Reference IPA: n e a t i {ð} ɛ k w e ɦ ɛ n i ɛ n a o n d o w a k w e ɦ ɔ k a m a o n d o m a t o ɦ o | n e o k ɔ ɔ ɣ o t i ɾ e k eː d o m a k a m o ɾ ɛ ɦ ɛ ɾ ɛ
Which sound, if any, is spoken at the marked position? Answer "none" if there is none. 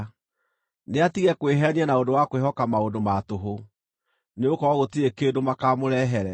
ɣ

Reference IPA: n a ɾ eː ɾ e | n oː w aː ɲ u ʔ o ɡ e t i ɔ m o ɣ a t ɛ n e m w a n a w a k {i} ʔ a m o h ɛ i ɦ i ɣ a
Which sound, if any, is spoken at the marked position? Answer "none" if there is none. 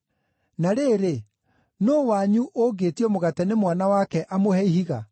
ɛ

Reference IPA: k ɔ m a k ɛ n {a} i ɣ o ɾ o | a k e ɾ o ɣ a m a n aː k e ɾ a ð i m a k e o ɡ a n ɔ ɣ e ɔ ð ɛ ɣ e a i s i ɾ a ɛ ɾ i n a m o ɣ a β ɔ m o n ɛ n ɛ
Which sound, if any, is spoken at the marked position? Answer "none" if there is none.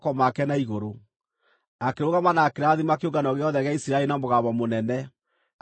a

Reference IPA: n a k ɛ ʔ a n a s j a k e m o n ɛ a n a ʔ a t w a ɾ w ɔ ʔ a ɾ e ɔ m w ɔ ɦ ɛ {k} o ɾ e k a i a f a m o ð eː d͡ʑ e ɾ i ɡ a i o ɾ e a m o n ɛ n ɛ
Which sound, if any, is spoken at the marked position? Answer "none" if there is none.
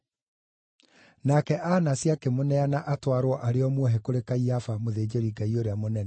k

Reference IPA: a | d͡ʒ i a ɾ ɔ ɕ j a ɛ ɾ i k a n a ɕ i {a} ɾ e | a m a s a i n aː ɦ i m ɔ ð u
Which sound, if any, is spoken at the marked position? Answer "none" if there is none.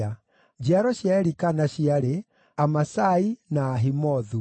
a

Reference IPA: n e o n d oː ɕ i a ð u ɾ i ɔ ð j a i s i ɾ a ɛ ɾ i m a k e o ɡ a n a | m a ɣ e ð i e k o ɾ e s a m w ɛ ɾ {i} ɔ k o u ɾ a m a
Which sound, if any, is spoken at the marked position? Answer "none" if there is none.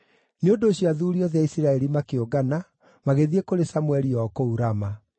i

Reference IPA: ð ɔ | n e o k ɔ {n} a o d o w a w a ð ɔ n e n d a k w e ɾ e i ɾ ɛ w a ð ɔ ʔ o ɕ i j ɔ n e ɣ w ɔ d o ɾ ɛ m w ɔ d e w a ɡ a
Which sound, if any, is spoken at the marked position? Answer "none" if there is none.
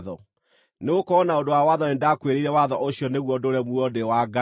n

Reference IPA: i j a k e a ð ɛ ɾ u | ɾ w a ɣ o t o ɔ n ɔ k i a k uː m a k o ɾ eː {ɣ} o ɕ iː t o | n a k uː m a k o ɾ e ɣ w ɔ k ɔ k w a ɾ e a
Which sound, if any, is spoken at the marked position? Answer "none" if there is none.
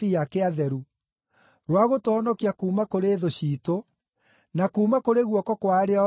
ð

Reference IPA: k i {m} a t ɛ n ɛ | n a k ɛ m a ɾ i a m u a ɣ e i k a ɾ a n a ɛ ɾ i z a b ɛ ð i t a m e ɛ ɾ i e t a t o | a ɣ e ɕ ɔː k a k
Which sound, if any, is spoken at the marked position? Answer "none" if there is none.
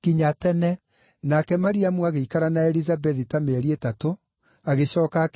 ɲ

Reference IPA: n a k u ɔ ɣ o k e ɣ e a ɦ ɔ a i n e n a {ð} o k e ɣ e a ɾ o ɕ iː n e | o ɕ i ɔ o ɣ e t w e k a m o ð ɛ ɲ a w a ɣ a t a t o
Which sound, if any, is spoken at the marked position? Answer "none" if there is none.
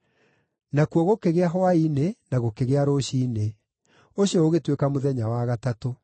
ɣ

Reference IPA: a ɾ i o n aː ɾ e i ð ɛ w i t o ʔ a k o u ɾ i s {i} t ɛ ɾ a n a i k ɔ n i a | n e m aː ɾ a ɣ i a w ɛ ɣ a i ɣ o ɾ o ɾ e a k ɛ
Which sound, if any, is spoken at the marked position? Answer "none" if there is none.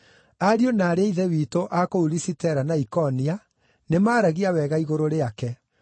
i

